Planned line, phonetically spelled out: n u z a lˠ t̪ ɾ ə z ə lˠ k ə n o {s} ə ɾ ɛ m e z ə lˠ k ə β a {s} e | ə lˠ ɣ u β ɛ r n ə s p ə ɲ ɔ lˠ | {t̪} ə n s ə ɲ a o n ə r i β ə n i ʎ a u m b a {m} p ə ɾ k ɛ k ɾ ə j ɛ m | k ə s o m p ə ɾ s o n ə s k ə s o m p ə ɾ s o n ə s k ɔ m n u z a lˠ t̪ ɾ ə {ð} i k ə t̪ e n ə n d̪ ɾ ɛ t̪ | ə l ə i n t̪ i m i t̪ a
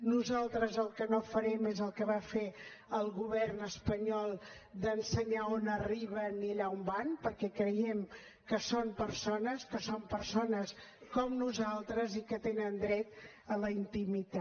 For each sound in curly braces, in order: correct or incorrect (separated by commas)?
incorrect, incorrect, incorrect, incorrect, incorrect